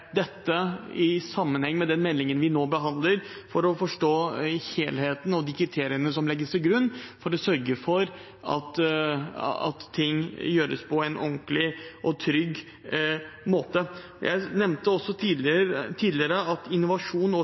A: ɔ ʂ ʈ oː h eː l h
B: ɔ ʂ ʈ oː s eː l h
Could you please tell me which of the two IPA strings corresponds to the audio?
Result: A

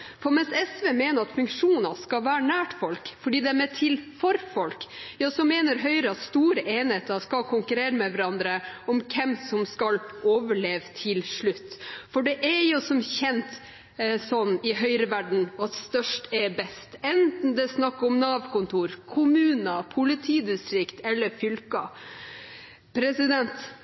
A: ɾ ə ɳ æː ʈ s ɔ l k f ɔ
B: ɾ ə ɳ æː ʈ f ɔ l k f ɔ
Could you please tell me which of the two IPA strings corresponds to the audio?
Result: B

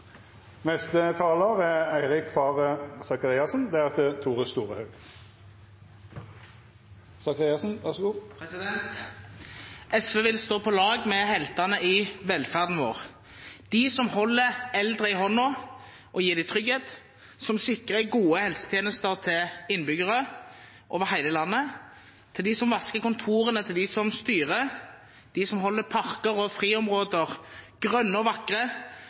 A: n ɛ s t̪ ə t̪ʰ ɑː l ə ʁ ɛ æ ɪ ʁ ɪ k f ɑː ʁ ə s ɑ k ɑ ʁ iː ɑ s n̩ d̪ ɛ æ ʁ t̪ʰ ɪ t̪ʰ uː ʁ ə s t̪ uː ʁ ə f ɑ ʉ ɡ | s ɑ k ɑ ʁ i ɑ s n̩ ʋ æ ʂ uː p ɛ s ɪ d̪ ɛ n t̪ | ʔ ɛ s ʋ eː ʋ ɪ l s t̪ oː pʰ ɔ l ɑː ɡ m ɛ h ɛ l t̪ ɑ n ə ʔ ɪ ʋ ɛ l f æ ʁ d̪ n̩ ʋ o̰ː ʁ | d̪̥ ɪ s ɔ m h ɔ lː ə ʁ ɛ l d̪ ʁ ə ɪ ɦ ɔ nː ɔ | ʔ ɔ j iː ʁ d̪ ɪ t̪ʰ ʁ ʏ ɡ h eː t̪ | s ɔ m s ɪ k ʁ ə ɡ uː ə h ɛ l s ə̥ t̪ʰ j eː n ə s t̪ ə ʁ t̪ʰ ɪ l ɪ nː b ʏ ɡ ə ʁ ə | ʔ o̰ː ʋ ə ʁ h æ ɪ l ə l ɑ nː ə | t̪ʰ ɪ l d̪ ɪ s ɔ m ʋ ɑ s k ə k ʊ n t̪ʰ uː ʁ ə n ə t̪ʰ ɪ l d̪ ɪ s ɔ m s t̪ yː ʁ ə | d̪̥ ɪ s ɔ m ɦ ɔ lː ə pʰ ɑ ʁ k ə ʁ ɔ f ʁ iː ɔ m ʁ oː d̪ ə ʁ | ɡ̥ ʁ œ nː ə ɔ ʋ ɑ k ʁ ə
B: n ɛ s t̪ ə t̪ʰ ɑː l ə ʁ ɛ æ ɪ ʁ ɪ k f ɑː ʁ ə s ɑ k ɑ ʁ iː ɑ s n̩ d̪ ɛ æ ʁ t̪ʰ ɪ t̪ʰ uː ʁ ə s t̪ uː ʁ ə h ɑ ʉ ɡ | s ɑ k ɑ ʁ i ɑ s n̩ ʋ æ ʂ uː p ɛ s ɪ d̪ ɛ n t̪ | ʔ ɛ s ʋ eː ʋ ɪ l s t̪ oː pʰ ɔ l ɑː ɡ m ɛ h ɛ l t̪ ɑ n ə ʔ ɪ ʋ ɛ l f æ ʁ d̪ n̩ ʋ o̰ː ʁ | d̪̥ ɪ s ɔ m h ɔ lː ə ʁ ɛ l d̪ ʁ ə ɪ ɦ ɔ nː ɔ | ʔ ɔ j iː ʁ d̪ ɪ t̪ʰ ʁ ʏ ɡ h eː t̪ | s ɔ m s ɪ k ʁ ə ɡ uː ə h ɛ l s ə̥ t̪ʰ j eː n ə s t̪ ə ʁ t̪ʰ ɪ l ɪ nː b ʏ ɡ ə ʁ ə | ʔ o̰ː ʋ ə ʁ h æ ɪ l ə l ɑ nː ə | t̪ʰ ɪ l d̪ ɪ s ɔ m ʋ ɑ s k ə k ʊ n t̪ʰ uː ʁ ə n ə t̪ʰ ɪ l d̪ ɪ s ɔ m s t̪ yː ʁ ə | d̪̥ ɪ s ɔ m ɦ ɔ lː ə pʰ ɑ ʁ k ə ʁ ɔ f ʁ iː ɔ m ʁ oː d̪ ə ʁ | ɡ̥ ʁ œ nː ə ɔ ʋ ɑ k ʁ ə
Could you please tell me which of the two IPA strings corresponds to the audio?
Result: B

